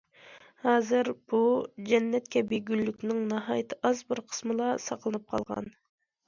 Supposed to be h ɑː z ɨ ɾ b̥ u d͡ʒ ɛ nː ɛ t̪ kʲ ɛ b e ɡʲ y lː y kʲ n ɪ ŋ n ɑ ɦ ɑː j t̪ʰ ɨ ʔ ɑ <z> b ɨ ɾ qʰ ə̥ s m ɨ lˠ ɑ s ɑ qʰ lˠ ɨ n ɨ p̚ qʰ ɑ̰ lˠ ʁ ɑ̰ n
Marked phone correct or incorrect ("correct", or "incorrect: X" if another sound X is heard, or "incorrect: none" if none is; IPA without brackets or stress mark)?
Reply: correct